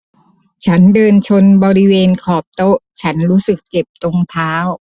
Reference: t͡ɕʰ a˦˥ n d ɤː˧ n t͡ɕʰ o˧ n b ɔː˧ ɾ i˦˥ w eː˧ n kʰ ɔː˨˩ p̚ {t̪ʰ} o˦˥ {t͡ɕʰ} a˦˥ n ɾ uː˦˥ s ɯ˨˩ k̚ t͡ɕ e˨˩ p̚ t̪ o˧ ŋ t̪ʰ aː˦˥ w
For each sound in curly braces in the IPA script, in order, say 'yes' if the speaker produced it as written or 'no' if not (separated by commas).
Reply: no, yes